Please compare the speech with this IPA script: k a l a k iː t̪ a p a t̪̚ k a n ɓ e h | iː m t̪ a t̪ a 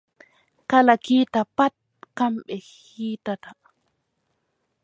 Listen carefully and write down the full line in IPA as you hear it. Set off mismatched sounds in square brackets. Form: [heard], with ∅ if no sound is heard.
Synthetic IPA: k a l a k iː t̪ a p a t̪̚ k a [m] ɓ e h | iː [∅] t̪ a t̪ a